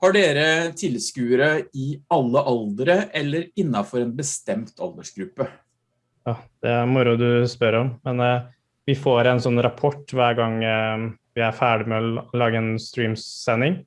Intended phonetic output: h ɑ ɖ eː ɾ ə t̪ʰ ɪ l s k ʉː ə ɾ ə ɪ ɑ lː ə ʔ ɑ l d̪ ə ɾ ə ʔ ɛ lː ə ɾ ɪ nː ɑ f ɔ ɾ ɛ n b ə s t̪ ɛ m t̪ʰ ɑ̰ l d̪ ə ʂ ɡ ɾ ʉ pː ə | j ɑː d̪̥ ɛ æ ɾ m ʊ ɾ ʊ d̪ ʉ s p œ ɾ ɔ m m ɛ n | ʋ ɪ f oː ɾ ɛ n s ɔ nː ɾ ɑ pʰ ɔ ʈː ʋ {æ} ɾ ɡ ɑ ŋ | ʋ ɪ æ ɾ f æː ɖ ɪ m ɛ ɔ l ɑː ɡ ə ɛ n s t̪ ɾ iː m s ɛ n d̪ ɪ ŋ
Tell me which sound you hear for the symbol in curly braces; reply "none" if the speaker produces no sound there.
æː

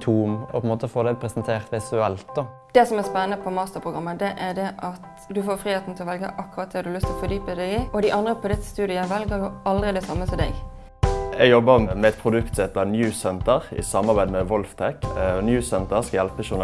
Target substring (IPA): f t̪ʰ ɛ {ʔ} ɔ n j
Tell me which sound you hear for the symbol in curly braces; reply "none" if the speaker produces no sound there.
k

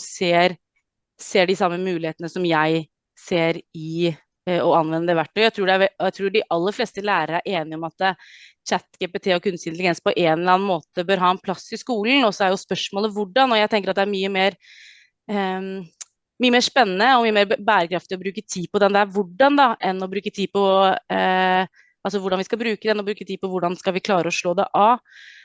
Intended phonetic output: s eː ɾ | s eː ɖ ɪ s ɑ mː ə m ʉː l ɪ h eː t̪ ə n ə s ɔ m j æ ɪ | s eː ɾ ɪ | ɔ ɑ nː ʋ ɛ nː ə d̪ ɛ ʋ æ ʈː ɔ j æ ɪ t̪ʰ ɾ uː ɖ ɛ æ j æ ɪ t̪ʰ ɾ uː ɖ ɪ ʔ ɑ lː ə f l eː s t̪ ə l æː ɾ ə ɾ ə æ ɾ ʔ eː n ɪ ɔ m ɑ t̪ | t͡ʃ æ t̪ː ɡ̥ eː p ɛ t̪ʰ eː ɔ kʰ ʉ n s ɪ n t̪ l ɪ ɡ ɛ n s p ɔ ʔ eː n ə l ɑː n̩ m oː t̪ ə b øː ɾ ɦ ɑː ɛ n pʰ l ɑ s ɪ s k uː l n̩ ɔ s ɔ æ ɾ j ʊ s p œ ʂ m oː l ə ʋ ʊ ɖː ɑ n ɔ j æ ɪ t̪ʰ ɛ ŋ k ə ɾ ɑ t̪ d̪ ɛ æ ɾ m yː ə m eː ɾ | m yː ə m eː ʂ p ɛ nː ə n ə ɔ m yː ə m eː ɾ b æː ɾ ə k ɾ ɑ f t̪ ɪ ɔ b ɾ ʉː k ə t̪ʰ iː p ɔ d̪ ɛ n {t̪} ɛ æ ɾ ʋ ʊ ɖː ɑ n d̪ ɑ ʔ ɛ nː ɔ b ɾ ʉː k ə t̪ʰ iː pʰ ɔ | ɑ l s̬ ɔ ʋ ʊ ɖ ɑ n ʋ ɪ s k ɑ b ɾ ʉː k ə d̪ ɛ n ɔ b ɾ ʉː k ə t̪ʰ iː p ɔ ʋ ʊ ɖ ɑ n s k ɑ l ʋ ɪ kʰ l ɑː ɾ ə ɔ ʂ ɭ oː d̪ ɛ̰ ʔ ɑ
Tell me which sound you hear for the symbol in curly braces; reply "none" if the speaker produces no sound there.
d̪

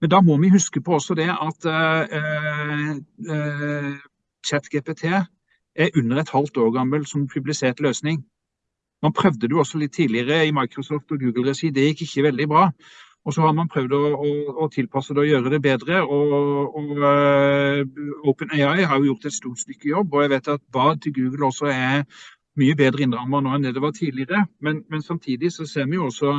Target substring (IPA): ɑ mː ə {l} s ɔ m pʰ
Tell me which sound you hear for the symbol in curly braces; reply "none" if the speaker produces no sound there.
l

